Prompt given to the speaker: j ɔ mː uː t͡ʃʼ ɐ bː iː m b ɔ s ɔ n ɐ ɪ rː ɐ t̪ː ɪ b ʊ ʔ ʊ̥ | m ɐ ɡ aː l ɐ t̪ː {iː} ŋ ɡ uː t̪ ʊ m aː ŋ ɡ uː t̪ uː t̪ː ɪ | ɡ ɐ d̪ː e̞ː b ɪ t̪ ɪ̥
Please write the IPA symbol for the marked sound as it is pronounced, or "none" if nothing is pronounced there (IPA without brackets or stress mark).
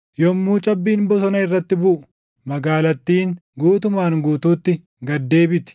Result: iː